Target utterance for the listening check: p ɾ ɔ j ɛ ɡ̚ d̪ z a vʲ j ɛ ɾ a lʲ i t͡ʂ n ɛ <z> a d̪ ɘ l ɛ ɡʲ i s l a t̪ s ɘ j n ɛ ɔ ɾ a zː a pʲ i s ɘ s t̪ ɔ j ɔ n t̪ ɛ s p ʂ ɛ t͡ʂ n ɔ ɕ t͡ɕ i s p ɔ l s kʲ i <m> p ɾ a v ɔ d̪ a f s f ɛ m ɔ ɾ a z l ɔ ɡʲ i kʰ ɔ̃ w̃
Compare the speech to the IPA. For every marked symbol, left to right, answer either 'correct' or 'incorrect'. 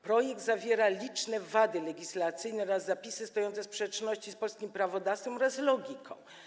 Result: incorrect, correct

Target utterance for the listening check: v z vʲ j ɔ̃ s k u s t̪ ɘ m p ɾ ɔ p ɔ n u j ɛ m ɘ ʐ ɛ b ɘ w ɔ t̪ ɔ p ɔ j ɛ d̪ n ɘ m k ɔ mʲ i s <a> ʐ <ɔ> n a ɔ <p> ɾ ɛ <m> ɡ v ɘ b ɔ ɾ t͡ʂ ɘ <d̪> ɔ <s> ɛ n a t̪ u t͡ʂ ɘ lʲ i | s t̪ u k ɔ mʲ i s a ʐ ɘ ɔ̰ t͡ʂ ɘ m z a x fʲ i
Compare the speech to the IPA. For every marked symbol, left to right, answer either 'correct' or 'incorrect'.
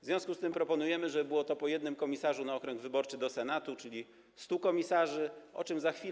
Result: correct, incorrect, incorrect, incorrect, correct, correct

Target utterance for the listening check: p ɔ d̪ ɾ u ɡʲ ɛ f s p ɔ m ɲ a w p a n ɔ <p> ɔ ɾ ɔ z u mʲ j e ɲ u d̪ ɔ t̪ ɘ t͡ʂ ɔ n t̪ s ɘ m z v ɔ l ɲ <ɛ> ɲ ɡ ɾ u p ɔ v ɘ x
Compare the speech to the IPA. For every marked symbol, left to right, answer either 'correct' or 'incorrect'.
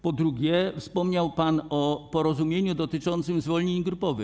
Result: correct, incorrect

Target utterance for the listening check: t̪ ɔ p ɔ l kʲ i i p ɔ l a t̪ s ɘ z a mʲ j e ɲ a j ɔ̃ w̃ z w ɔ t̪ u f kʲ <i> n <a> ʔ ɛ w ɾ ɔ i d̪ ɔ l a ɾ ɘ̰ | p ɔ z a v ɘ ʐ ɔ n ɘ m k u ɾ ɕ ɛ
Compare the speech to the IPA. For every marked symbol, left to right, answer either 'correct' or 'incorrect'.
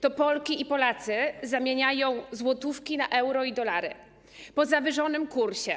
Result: correct, correct

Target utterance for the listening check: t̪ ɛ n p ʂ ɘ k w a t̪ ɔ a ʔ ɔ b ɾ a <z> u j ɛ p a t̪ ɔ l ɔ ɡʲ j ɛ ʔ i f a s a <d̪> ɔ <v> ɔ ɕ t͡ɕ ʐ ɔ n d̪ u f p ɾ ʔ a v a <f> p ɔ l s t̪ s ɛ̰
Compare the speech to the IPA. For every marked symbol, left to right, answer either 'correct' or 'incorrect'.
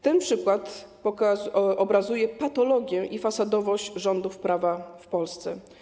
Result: correct, correct, correct, correct

